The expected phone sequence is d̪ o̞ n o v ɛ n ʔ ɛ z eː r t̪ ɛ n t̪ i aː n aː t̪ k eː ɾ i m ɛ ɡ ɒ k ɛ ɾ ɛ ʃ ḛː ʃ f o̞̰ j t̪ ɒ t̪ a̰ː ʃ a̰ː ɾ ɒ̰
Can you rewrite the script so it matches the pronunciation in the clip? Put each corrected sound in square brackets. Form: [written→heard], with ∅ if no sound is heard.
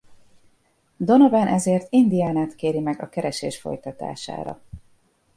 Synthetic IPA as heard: d̪ o̞ n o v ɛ n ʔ ɛ z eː r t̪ [ɛ→i] n [t̪→d̪] i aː n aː t̪ k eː ɾ i m ɛ ɡ ɒ k ɛ ɾ ɛ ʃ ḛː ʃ f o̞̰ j t̪ ɒ t̪ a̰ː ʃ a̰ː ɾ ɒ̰

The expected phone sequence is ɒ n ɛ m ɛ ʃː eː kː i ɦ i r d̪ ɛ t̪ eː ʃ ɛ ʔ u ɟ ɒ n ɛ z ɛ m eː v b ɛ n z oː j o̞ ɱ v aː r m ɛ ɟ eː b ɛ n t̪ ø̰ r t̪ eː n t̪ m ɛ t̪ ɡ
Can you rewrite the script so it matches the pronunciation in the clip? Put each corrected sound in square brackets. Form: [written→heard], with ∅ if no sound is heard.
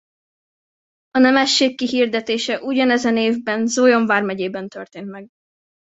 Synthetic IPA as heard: ɒ n ɛ m ɛ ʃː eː kː i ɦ i r d̪ ɛ t̪ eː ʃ ɛ ʔ u ɟ ɒ n ɛ z ɛ [m→n] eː v b ɛ n z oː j o̞ ɱ v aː r m ɛ ɟ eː b ɛ n t̪ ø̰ r t̪ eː n t̪ m ɛ [t̪→∅] ɡ

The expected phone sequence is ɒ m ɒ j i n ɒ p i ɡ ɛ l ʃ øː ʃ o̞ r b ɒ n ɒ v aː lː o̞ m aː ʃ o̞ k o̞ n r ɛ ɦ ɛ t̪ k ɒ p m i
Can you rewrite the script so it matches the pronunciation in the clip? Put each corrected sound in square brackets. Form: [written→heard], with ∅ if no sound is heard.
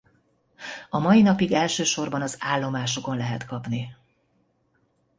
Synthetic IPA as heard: ɒ m ɒ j i n ɒ p i ɡ ɛ l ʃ øː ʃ o̞ r b ɒ n ɒ [v→z] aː lː o̞ m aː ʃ o̞ k o̞ n [r→l] ɛ ɦ ɛ t̪ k ɒ p [m→n] i

